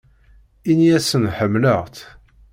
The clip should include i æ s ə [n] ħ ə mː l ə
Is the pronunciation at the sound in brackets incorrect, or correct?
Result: correct